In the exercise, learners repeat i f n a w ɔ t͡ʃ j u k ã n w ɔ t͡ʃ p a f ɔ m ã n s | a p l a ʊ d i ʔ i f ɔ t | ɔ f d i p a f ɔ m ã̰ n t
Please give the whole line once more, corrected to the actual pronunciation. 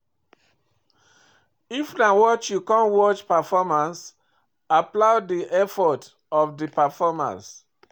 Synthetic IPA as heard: i f n a w ɔ t͡ʃ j u k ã n w ɔ t͡ʃ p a f ɔ m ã n s | a p l a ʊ d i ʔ ɛ f ɔ t | ɔ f d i p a f ɔ m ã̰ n s